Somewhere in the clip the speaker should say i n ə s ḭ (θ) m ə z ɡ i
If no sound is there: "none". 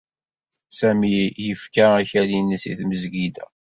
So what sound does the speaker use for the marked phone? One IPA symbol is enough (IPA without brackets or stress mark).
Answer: θ